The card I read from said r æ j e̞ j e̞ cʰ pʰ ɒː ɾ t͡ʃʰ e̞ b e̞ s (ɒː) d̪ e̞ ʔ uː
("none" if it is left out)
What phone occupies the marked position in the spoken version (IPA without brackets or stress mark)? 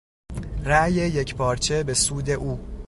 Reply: uː